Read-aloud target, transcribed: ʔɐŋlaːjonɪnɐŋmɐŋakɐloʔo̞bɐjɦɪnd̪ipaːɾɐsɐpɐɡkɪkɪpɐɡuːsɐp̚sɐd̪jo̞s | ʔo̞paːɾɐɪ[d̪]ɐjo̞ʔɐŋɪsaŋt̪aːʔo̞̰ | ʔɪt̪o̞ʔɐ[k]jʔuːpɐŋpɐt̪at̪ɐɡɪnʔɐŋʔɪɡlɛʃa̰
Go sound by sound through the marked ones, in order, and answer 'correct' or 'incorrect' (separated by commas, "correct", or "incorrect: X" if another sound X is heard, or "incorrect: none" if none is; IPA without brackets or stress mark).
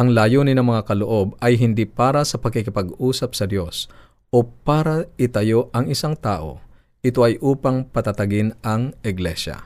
incorrect: t̪, incorrect: none